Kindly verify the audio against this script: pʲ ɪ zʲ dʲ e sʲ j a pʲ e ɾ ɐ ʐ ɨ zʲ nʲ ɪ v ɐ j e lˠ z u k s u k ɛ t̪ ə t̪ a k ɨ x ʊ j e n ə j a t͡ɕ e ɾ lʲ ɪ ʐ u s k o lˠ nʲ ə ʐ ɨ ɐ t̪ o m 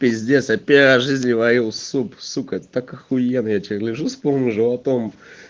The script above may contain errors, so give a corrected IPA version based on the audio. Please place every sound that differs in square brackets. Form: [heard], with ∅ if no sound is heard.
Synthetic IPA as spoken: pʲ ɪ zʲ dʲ e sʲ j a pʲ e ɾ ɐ ʐ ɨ zʲ nʲ ɪ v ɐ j [i] lˠ [s] u [p] s u k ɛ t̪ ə t̪ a k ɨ x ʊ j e n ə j a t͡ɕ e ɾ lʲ ɪ ʐ u s [p] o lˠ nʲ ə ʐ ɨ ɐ t̪ o m